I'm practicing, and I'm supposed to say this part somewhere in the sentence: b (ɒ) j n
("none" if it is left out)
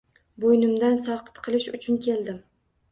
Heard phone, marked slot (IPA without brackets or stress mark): o